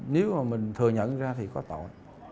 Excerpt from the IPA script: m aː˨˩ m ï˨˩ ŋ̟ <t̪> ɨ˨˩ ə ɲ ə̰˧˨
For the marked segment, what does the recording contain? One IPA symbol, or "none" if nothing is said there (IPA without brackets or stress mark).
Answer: t̪ʰ